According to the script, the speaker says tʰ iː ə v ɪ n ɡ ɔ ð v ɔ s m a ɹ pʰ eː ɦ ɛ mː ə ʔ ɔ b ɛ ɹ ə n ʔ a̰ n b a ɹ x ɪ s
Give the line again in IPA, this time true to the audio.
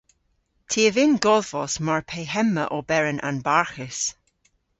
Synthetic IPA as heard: tʰ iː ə v ɪ n ɡ ɔ ð v ɔ s m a ɹ pʰ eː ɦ ɛ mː ə ʔ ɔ b ɛ ɹ ə n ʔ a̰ n b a ɹ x ɪ s